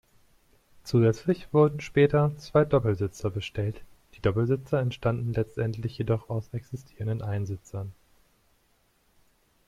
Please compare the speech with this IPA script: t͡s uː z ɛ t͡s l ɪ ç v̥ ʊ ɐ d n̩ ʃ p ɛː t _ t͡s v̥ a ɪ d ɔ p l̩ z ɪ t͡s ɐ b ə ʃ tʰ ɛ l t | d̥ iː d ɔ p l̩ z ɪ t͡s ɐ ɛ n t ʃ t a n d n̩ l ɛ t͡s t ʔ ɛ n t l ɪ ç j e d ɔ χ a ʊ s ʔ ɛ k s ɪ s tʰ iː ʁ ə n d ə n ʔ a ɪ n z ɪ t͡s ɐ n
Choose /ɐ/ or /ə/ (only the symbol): ɐ